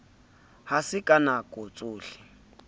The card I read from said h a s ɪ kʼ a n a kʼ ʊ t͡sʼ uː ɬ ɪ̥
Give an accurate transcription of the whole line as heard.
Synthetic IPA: h a s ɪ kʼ a n a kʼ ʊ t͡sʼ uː ɬ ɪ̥